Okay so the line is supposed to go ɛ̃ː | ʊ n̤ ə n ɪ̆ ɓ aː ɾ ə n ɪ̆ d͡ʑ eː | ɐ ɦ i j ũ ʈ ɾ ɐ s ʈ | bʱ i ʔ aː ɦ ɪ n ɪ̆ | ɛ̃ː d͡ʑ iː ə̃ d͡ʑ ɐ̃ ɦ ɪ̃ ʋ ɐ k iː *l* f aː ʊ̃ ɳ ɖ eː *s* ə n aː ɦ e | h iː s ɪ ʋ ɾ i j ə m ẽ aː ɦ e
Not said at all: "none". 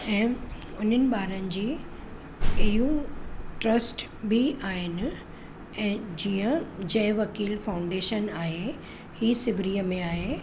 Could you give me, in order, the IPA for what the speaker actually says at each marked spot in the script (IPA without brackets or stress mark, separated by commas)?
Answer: l, ʃ